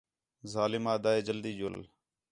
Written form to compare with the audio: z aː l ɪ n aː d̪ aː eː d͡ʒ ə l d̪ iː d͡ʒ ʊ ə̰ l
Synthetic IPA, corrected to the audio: z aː l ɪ m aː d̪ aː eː d͡ʒ ə l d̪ iː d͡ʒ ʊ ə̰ l